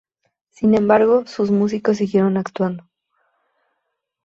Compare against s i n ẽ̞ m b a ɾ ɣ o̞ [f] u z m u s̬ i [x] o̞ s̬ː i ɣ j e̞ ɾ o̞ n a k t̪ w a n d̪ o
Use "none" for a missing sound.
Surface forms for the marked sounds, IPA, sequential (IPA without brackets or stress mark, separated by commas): s, k